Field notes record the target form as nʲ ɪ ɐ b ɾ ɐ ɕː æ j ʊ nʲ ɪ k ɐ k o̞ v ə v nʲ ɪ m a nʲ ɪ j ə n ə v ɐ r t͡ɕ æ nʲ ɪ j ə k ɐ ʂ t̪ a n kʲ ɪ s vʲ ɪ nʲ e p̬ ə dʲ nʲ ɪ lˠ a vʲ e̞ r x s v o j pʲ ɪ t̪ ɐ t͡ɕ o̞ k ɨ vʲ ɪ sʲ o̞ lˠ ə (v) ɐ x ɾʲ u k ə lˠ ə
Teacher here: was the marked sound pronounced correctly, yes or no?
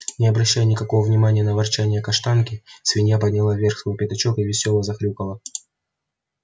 no